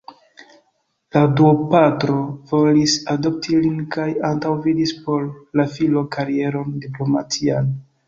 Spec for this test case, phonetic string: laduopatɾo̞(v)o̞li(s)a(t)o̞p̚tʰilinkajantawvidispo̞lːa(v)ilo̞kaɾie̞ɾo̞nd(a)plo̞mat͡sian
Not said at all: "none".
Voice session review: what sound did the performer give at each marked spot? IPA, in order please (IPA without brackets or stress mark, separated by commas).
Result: v, s, d, f, i